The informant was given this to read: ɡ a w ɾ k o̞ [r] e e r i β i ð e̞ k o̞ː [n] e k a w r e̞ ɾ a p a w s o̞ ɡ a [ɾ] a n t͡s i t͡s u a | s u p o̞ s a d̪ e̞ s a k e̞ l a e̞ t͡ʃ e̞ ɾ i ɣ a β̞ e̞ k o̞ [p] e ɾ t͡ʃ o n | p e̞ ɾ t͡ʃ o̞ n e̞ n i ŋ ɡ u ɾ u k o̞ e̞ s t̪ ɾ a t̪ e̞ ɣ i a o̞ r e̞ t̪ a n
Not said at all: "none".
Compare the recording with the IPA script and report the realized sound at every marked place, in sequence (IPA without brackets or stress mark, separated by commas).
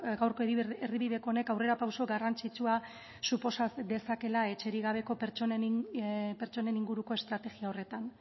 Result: none, n, r, p